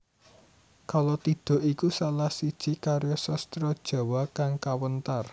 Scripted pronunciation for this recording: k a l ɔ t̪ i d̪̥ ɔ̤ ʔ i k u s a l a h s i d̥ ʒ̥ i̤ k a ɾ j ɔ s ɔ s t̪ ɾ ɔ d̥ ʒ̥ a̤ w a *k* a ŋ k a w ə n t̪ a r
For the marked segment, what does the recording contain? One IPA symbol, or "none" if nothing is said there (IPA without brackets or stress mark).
k